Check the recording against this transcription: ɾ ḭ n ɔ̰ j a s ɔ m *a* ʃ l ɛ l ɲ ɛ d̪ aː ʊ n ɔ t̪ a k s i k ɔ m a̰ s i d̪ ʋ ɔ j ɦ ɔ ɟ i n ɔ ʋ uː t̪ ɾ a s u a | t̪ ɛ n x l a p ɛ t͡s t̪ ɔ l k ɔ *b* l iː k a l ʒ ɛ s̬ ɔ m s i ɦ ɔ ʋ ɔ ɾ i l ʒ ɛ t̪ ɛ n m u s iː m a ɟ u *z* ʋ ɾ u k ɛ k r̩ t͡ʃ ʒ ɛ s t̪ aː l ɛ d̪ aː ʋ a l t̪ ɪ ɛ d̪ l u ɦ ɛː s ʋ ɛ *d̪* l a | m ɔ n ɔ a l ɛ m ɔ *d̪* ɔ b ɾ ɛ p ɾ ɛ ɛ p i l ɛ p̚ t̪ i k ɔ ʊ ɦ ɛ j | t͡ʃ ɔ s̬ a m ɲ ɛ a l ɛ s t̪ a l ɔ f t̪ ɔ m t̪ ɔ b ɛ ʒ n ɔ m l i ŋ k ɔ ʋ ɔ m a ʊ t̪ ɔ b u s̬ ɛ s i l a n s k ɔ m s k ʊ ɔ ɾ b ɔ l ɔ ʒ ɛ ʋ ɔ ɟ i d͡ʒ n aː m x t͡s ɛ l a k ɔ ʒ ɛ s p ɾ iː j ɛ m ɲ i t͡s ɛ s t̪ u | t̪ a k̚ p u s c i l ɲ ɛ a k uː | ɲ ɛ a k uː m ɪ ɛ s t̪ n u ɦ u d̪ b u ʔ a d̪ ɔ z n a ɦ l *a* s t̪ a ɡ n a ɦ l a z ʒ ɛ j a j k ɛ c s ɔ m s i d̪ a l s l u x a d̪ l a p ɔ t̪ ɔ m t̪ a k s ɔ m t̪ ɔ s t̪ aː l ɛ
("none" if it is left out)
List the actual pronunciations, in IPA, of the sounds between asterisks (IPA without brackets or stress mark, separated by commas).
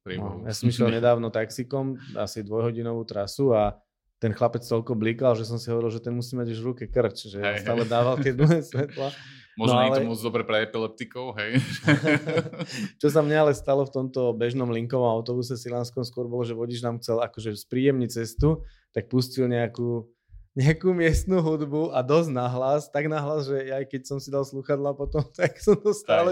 i, b, ʒ, t̪, d̪, a